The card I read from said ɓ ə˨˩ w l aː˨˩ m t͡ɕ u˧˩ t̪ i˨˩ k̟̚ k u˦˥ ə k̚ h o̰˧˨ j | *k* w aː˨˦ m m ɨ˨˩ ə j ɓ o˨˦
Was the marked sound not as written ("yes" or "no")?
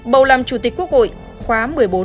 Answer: yes